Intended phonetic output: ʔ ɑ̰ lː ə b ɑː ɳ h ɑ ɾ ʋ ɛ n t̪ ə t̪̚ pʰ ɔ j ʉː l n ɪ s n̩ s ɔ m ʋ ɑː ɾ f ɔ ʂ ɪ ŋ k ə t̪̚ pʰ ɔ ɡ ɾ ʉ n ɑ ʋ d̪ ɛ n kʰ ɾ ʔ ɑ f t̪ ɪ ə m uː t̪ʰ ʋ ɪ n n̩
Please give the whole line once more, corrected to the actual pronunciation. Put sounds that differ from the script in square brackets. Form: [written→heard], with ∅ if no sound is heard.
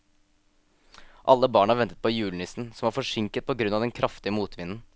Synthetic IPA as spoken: ʔ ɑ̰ lː ə b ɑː ɳ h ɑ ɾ ʋ ɛ n t̪ ə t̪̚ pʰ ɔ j ʉː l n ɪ s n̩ s ɔ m ʋ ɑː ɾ f ɔ ʂ ɪ ŋ k ə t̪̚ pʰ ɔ ɡ ɾ ʉ n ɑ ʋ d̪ ɛ n kʰ ɾ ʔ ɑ f t̪ ɪ ə m uː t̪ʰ ʋ ɪ n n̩